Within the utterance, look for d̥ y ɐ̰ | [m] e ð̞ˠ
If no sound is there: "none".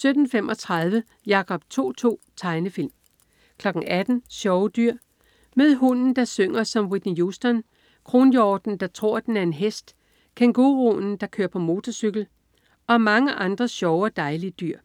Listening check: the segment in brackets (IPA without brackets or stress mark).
m